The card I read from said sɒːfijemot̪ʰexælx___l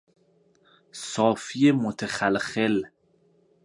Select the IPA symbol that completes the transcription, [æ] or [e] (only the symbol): e